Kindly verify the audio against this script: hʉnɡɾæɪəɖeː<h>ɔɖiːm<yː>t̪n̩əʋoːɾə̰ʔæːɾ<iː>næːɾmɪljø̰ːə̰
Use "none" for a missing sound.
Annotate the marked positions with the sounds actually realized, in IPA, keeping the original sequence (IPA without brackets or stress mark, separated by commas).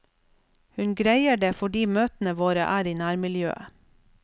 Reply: f, øː, iː